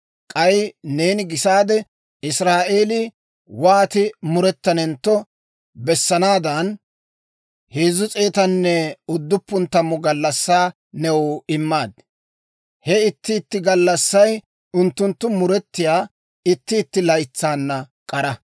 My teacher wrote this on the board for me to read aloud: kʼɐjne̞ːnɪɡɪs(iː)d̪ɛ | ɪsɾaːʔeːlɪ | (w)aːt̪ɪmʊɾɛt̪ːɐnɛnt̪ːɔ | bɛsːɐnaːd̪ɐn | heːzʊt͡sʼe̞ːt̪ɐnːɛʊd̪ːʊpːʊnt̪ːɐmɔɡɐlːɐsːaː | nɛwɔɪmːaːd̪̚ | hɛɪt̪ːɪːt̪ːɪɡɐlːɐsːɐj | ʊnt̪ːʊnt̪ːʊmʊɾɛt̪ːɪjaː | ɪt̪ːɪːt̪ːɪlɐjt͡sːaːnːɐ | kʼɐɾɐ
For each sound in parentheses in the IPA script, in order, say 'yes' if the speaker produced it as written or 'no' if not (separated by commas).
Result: no, yes